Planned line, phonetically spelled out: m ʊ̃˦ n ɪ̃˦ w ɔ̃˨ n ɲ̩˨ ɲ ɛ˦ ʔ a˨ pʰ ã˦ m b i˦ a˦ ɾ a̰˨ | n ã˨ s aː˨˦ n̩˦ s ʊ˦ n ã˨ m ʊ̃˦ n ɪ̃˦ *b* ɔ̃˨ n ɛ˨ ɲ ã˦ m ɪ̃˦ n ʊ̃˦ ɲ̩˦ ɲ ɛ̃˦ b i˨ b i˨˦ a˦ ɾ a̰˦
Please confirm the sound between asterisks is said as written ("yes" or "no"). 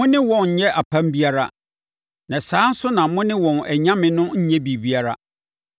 no